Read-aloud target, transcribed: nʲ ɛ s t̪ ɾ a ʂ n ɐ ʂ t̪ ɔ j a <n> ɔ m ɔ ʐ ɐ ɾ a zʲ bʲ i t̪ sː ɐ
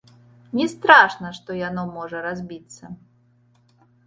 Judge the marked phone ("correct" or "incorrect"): correct